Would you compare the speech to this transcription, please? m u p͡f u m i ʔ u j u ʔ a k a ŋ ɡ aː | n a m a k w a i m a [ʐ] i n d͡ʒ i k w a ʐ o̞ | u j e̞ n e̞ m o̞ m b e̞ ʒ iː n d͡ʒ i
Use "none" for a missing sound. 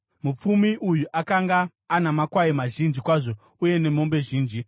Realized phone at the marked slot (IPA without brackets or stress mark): ʒ